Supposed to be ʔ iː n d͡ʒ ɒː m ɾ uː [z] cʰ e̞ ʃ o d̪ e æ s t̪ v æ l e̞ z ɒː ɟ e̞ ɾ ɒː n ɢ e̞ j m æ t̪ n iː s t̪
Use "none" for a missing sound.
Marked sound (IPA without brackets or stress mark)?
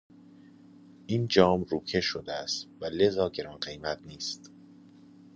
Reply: none